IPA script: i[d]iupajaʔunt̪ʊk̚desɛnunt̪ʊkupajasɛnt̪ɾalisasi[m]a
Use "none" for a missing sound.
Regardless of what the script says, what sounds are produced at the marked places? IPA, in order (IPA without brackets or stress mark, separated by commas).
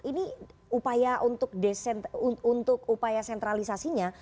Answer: n, ɲ